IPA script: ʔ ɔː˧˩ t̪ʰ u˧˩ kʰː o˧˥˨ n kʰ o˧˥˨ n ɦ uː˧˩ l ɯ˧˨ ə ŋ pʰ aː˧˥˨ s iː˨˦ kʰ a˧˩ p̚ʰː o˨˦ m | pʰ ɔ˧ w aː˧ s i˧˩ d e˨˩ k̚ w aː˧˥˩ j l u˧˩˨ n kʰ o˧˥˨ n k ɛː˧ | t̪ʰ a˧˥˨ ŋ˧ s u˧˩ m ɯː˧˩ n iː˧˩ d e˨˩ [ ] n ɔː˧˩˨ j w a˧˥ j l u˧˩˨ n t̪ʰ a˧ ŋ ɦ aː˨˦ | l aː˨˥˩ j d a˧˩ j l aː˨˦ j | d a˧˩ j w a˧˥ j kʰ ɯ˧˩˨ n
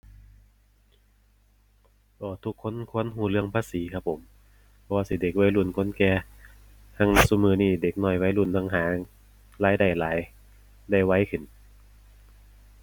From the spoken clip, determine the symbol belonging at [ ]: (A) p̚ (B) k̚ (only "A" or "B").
B